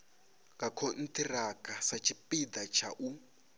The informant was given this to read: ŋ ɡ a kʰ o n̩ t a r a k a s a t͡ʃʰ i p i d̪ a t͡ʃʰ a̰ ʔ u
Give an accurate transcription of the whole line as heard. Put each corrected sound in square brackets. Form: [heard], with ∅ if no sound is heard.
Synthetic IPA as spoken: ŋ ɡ a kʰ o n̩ t [i] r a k a s a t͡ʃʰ i p i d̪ a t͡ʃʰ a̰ ʔ u